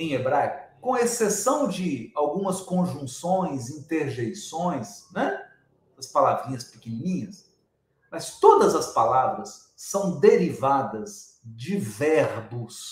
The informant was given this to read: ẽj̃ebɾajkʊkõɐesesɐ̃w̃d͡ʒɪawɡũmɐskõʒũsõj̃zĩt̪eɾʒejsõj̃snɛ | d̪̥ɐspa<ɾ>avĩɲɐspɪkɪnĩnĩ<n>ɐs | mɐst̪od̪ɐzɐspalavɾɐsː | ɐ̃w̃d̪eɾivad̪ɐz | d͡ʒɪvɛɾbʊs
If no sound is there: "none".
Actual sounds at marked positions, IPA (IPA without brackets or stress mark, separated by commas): l, ɲ